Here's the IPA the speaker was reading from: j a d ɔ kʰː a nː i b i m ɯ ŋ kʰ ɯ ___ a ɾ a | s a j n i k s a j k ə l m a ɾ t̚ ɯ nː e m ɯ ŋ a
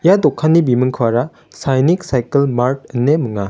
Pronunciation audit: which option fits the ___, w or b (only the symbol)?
w